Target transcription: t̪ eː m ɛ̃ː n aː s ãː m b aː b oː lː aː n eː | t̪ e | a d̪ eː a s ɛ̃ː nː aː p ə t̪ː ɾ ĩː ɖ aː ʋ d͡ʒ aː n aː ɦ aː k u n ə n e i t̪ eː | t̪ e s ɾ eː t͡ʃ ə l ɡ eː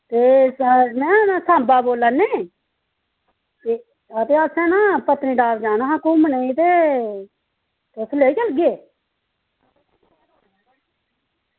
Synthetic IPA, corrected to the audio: t̪ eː m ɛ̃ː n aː s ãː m b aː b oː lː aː n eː | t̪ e | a t̪ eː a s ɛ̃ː n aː p ə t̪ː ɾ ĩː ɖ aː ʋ d͡ʒ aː n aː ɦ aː k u m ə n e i t̪ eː | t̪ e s l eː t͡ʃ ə l ɡ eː

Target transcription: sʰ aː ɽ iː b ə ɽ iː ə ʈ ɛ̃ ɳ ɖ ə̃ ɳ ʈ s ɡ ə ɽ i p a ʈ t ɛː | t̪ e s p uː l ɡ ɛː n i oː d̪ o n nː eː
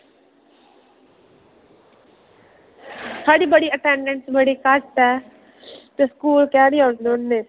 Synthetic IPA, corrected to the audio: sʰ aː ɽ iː b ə ɽ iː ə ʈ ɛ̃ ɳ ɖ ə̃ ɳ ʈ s b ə ɽ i k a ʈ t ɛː | t̪ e s k uː l k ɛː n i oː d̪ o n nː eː

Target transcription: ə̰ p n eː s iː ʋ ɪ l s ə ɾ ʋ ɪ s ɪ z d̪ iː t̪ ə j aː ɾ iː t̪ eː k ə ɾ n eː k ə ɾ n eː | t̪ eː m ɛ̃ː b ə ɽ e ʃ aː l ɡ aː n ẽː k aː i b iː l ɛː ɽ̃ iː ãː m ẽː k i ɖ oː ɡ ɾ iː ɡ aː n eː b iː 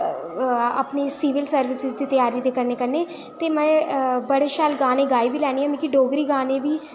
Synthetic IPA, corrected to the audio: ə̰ p n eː s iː ʋ ɪ l s ə ɾ ʋ ɪ s ɪ z d̪ iː t̪ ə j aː ɾ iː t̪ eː k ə ɾ n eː k ə ɾ n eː | t̪ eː m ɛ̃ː b ə ɽ e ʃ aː l ɡ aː n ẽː ɡ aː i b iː l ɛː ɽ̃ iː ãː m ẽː k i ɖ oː ɡ ɾ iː ɡ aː n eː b iː

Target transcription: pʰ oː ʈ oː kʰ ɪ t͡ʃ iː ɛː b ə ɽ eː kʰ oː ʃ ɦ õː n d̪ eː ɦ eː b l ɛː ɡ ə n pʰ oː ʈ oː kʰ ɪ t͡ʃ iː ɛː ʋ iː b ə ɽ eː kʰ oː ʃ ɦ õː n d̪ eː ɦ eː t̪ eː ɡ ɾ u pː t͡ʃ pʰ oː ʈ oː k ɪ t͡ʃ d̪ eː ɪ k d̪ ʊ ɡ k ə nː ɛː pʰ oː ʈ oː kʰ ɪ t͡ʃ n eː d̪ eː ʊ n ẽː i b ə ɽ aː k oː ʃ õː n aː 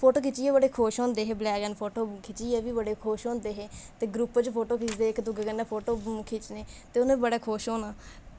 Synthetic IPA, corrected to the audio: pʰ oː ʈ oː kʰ ɪ t͡ʃ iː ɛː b ə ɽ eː kʰ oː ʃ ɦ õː n d̪ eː ɦ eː b l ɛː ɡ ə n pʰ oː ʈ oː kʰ ɪ t͡ʃ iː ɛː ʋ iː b ə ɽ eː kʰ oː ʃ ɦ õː n d̪ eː ɦ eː t̪ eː ɡ ɾ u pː t͡ʃ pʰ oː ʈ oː k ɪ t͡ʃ d̪ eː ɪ k d̪ ʊ ɡ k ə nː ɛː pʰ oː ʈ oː kʰ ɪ t͡ʃ n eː t̪ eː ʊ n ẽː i b ə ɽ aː kʰ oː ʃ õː n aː

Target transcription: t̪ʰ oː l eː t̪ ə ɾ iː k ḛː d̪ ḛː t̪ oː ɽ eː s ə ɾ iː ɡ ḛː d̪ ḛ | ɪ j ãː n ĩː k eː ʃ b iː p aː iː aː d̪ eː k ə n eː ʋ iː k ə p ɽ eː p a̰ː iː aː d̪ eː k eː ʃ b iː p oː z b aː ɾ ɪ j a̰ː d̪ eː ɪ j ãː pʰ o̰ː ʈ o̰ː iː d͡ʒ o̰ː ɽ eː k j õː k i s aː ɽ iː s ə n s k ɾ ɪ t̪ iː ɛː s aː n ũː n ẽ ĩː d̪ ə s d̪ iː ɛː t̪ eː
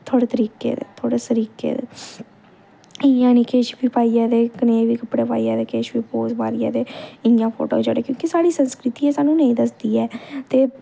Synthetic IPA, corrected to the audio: t̪ʰ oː ɽ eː t̪ ə ɾ iː k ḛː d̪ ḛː t̪ʰ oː ɽ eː s ə ɾ iː k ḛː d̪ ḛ | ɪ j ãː n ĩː k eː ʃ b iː p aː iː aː d̪ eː k ə n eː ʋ iː k ə p ɽ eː p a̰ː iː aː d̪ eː k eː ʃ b iː p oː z b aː ɾ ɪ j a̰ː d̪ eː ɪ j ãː pʰ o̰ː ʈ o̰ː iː d͡ʒ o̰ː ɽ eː k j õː k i s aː ɽ iː s ə n s k ɾ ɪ t̪ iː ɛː s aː n ũː n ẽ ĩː d̪ ə s d̪ iː ɛː t̪ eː

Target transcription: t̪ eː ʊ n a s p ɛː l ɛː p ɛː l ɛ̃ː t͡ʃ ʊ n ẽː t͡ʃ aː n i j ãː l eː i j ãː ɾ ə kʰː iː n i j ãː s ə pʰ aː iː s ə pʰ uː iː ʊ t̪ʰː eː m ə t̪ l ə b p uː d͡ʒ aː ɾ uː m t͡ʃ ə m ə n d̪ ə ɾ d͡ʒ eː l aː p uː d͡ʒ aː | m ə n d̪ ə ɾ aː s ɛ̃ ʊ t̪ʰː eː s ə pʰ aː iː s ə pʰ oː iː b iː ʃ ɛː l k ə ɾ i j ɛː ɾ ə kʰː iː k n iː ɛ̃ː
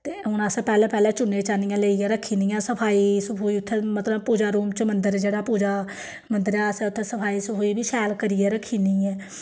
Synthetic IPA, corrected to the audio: t̪ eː ʊ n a s p ɛː l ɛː p ɛː l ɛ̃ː t͡ʃ ʊ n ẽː t͡ʃ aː n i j ãː l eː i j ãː ɾ ə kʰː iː n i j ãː s ə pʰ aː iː s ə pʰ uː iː ʊ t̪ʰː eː m ə t̪ l ə b p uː d͡ʒ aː ɾ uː m t͡ʃ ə m ə n d̪ ə ɾ d͡ʒ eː ɽ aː p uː d͡ʒ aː | m ə n d̪ ə ɾ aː s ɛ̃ ʊ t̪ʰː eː s ə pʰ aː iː s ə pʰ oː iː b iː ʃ ɛː l k ə ɾ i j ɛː ɾ ə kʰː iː n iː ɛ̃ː

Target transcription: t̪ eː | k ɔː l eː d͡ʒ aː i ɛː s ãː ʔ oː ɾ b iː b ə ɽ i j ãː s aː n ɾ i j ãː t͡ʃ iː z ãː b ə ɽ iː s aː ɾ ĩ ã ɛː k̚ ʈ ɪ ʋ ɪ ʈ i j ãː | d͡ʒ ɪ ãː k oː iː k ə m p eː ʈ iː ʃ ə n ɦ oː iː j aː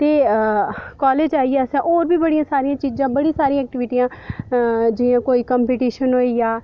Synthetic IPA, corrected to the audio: t̪ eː | k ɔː l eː d͡ʒ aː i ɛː s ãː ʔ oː ɾ b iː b ə ɽ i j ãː s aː ɾ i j ãː t͡ʃ iː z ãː b ə ɽ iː s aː ɾ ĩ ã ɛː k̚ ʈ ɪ ʋ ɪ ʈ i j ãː | d͡ʒ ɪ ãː k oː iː k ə m p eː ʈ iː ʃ ə n ɦ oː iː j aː

